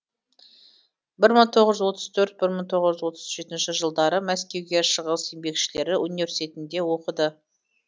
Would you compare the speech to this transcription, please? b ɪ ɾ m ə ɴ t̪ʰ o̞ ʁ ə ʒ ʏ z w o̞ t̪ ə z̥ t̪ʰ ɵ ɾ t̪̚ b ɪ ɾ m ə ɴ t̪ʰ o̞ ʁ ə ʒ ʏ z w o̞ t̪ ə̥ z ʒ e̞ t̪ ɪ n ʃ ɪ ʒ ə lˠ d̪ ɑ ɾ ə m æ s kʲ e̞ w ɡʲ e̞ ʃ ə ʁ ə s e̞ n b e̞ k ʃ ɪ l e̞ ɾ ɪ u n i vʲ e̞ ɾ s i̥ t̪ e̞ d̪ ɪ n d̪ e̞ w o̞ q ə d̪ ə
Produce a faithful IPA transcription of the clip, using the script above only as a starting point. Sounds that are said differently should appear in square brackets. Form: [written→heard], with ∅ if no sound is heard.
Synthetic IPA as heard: b ɪ ɾ m ə ɴ t̪ʰ o̞ ʁ ə ʒ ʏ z w o̞ t̪ ə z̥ t̪ʰ ɵ ɾ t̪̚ b ɪ ɾ m ə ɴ t̪ʰ o̞ ʁ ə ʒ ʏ z w o̞ t̪ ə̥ z ʒ e̞ t̪ ɪ n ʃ ɪ ʒ ə lˠ d̪ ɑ ɾ ə m æ s kʲ e̞ w ɡʲ e̞ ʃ ə ʁ ə s e̞ [n→m] b e̞ k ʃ ɪ l e̞ ɾ ɪ u n i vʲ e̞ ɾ s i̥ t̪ e̞ [d̪→t̪] ɪ n d̪ e̞ w o̞ q ə d̪ ə

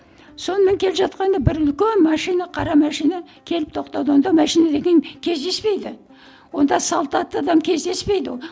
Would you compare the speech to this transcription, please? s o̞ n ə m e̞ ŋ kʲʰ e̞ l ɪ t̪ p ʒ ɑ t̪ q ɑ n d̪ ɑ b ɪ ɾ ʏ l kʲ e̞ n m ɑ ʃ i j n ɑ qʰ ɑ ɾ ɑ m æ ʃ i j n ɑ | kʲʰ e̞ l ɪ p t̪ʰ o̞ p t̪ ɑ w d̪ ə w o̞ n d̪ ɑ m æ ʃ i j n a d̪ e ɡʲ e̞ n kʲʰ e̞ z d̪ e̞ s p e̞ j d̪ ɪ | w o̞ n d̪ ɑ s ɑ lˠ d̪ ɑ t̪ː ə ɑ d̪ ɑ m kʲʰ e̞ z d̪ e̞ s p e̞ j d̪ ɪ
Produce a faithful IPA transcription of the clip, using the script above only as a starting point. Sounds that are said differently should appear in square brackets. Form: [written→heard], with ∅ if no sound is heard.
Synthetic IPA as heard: s o̞ n ə m e̞ ŋ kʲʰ e̞ l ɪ [t̪→∅] p ʒ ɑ t̪ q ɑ n d̪ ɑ b ɪ ɾ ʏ l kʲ e̞ n m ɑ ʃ i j n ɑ qʰ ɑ ɾ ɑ m æ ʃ i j n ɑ | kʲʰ e̞ l ɪ p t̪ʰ o̞ [p→q] t̪ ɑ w d̪ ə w o̞ n d̪ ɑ m æ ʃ i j n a d̪ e ɡʲ e̞ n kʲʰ e̞ z d̪ e̞ s p e̞ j d̪ ɪ | w o̞ n d̪ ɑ s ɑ lˠ [d̪→t̪] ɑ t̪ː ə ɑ d̪ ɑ m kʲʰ e̞ z d̪ e̞ s p e̞ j d̪ ɪ

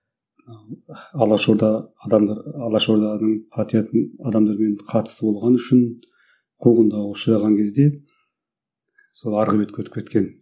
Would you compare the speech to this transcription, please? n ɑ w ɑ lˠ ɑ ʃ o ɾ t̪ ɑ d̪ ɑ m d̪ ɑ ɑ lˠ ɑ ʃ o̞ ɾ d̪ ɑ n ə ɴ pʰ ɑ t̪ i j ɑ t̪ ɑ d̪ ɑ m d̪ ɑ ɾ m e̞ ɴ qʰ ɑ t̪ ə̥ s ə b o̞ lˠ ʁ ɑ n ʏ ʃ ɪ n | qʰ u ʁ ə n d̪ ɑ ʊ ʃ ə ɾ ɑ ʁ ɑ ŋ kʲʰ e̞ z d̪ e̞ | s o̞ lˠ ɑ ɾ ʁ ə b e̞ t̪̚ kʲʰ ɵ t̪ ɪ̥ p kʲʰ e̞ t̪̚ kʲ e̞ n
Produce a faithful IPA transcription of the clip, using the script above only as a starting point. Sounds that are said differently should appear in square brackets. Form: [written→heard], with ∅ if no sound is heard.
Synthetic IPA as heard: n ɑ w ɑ lˠ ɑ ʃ o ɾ [t̪→d̪] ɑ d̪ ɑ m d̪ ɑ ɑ lˠ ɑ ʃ o̞ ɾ d̪ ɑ n ə ɴ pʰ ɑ t̪ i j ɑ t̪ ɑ d̪ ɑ m d̪ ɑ ɾ m e̞ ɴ qʰ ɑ t̪ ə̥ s ə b o̞ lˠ ʁ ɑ n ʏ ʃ ɪ n | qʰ u ʁ ə n d̪ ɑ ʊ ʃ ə ɾ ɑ ʁ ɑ ŋ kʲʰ e̞ z d̪ e̞ | s o̞ lˠ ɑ ɾ ʁ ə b e̞ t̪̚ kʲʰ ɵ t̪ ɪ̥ p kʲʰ e̞ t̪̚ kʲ e̞ n

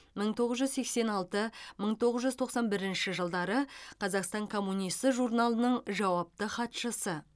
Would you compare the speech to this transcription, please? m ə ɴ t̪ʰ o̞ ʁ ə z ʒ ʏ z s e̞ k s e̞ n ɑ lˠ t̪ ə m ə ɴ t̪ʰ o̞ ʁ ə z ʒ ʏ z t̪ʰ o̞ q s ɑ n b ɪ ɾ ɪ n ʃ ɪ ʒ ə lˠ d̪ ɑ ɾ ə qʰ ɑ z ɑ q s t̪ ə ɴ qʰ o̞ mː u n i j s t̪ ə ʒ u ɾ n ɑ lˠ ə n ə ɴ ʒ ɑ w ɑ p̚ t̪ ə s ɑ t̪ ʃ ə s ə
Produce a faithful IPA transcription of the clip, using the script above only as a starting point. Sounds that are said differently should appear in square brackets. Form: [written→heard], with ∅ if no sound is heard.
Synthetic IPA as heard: m ə ɴ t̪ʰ o̞ ʁ ə z ʒ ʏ z s e̞ k s e̞ n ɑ lˠ t̪ ə m ə ɴ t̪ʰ o̞ ʁ ə z ʒ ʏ z t̪ʰ o̞ q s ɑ n b ɪ ɾ ɪ n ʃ ɪ ʒ ə lˠ d̪ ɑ ɾ ə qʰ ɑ z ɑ q s t̪ [ə→ɑ] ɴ [qʰ→kʰ] o̞ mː u n i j s t̪ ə ʒ u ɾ n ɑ lˠ ə n ə ɴ ʒ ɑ w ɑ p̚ t̪ ə [s→χ] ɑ t̪ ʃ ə s ə

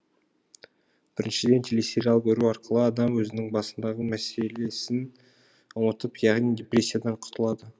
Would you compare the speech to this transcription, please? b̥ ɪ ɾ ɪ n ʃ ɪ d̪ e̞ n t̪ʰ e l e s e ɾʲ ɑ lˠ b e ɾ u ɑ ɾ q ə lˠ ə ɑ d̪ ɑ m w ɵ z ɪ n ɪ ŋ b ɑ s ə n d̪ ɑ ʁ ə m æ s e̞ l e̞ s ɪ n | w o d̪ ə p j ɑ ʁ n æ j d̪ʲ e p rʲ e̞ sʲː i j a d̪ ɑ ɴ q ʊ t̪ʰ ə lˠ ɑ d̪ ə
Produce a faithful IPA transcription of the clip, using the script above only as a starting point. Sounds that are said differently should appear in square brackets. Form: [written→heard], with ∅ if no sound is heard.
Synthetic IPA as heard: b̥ ɪ ɾ ɪ n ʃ ɪ d̪ e̞ n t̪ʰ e l e s e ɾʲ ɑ lˠ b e ɾ u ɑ ɾ q ə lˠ ə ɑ d̪ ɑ m w ɵ z ɪ n ɪ ŋ b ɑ s ə n d̪ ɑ ʁ ə m æ s e̞ l e̞ s ɪ n | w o [d̪→t̪] ə p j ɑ ʁ n [æ→i] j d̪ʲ e p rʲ e̞ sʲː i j a d̪ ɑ ɴ [q→qʰ] ʊ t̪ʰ ə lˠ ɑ d̪ ə

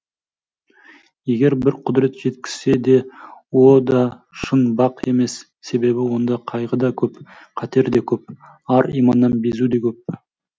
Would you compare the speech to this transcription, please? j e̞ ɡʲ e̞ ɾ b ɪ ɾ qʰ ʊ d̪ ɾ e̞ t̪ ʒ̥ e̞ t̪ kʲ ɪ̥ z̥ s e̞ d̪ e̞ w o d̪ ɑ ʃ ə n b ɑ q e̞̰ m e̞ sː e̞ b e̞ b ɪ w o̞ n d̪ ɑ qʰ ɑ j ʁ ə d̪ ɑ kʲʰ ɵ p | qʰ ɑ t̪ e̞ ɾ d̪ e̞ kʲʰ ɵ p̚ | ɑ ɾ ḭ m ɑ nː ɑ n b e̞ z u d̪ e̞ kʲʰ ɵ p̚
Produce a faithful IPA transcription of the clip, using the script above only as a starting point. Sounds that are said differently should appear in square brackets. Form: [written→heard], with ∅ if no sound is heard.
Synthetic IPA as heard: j e̞ ɡʲ e̞ ɾ b ɪ ɾ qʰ ʊ d̪ ɾ e̞ t̪ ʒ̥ e̞ t̪ kʲ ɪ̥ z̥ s e̞ d̪ e̞ w o d̪ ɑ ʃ ə n b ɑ q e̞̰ m e̞ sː e̞ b e̞ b ɪ w o̞ n d̪ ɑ qʰ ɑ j ʁ ə d̪ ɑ kʲʰ ɵ p | qʰ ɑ t̪ e̞ ɾ d̪ e̞ kʲʰ ɵ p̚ | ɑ ɾ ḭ m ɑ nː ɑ n b e̞ z u d̪ e̞ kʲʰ ɵ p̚

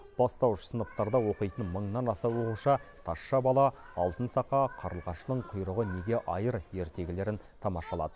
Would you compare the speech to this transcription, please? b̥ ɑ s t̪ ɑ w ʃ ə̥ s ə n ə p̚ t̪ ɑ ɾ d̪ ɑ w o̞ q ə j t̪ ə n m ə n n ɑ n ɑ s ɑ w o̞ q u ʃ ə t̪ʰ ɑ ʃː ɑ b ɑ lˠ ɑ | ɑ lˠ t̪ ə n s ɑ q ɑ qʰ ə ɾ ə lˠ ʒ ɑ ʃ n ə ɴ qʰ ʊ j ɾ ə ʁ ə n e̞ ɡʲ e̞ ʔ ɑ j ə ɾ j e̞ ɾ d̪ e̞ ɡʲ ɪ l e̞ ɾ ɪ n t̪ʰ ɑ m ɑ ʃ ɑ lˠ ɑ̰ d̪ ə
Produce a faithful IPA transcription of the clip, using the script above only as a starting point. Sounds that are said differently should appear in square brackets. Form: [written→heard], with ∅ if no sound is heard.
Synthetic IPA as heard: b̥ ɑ s t̪ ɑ w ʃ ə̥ s ə n ə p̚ t̪ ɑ ɾ d̪ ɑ w o̞ q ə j t̪ ə n m ə [n→ɴ] n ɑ n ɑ s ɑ w o̞ q u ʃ [ə→ɑ] t̪ʰ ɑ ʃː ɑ b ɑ lˠ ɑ | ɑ lˠ t̪ ə n s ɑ q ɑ qʰ [ə→ɑ] ɾ ə lˠ [ʒ→ʁ] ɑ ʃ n ə ɴ qʰ ʊ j ɾ ə ʁ ə n e̞ ɡʲ e̞ ʔ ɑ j ə ɾ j e̞ ɾ [d̪→t̪] e̞ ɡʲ ɪ l e̞ ɾ ɪ n t̪ʰ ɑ m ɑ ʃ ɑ lˠ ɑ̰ d̪ ə

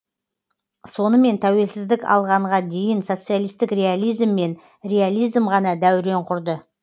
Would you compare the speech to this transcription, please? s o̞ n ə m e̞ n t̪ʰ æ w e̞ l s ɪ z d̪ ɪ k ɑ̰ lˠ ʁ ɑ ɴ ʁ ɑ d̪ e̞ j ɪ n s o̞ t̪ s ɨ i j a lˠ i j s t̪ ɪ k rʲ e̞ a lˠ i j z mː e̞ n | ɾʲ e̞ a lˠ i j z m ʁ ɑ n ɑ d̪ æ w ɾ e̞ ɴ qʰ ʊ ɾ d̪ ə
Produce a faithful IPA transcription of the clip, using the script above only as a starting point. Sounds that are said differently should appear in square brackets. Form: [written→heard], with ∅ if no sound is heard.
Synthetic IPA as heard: s o̞ n ə m e̞ n t̪ʰ æ w e̞ l s ɪ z d̪ ɪ k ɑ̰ lˠ ʁ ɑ ɴ ʁ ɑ d̪ e̞ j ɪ n s o̞ t̪ s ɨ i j a lˠ i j s t̪ ɪ k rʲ e̞ a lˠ i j z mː e̞ n | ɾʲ e̞ a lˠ i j z m ʁ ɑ n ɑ d̪ æ w ɾ e̞ ɴ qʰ ʊ ɾ d̪ ə

